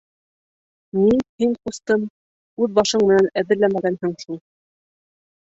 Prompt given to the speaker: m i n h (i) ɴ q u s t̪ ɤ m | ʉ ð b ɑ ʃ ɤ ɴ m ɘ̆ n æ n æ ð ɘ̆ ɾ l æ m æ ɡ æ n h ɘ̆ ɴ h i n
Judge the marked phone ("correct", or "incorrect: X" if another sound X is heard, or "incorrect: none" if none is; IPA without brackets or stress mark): correct